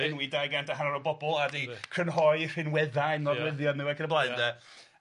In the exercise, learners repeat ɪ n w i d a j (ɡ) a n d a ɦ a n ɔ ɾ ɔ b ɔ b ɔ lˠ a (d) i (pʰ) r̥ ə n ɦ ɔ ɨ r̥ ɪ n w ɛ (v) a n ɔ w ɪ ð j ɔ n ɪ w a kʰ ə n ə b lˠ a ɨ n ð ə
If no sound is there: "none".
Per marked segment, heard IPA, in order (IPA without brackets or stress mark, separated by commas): ɡ, d, kʰ, ð